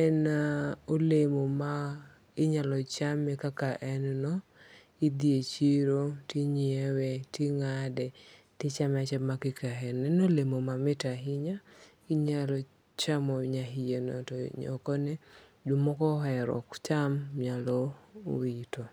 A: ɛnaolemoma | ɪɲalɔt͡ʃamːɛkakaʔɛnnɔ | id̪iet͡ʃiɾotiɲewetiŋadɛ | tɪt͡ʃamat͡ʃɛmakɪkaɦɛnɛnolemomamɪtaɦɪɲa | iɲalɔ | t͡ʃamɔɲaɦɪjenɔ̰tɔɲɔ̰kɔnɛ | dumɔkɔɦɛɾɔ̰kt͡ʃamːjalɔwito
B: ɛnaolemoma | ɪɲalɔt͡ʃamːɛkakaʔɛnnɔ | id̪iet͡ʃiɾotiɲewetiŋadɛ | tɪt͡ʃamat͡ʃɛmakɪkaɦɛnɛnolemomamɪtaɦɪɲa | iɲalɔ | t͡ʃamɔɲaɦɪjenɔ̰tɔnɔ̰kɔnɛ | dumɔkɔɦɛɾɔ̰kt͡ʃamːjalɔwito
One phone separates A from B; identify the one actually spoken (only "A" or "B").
A